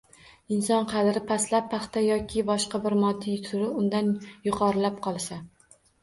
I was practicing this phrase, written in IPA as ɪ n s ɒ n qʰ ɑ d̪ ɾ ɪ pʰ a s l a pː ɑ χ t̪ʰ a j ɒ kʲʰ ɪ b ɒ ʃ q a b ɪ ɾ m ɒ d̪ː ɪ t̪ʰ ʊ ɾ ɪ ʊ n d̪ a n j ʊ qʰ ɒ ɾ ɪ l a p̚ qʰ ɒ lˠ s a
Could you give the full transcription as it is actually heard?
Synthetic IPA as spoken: ɪ n s ɒ n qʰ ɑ d̪ ɾ ɪ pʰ a s l a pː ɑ χ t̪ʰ a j ɒ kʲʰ ɪ b ɒ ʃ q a b ɪ ɾ m ɒ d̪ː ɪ t̪ʰ ʊ ɾ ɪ ʊ n d̪ a n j ʊ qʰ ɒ ɾ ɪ l a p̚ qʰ ɒ lˠ s a